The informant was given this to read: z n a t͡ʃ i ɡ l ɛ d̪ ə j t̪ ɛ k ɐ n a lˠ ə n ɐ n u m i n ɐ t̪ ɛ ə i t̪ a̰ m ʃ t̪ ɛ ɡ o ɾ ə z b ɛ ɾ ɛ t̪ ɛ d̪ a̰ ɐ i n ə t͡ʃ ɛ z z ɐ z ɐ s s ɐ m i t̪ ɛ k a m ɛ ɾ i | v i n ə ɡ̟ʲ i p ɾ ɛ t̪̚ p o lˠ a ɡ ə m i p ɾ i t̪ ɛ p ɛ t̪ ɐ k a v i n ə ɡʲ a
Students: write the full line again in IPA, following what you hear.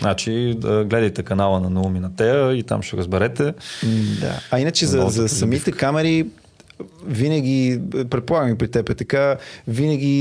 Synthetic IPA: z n a t͡ʃ i ɡ l ɛ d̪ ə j t̪ ɛ k ɐ n a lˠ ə n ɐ n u m i n ɐ t̪ ɛ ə i t̪ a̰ m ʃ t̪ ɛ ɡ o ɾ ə z b ɛ ɾ ɛ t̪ ɛ d̪ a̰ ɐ i n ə t͡ʃ ɛ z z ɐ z ɐ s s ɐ m i t̪ ɛ k a m ɛ ɾ i | v i n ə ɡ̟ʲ i p ɾ ɛ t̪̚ p o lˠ a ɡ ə m i p ɾ i t̪ ɛ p ɛ t̪ ɐ k a v i n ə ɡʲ i